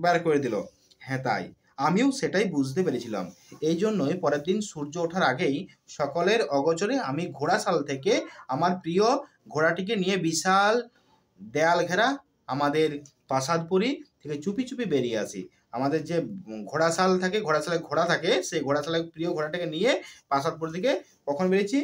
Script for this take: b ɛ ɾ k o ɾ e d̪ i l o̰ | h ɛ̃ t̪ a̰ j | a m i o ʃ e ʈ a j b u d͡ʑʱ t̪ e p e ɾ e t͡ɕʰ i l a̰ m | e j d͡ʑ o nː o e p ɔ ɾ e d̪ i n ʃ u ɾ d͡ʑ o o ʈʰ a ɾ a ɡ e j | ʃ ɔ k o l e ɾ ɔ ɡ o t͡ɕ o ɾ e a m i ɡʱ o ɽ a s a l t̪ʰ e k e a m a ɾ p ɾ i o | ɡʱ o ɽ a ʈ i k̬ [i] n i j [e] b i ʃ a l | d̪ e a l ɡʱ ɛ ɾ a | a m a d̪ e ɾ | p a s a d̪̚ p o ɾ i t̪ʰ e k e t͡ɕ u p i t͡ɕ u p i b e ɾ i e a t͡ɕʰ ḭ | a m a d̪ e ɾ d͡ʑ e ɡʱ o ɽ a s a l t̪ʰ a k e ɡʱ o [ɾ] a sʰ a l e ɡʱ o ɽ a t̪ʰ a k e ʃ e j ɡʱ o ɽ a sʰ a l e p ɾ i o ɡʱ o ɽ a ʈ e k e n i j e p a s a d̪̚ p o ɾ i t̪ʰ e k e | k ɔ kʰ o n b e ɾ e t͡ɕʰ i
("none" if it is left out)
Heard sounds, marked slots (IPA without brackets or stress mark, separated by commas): e, e, ɽ